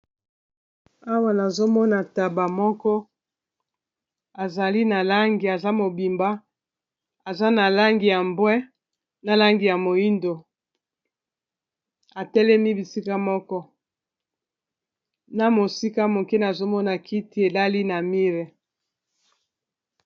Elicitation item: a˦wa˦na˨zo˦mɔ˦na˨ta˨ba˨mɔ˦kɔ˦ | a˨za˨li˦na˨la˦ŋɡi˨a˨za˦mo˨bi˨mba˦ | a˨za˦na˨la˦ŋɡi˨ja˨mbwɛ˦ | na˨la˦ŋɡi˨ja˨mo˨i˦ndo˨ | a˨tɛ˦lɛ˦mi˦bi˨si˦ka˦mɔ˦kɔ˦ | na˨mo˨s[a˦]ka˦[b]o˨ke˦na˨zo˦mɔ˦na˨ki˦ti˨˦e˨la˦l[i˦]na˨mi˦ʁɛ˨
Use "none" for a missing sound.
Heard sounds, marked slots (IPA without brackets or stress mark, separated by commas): i˦, m, i˦